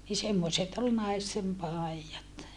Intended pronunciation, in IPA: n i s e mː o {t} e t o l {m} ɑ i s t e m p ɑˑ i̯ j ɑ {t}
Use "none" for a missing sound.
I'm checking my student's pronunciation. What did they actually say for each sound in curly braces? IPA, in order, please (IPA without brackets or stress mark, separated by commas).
s, n, t